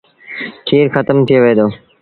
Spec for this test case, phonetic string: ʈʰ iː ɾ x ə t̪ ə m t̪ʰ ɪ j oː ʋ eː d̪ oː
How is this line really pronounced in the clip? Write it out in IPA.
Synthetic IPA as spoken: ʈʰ iː ɾ x ə t̪ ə m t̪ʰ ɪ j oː ʋ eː d̪ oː